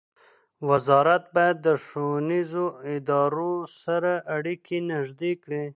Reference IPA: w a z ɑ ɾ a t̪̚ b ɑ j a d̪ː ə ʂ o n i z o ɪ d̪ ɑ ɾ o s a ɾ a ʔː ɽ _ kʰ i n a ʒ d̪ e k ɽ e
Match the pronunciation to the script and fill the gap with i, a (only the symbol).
i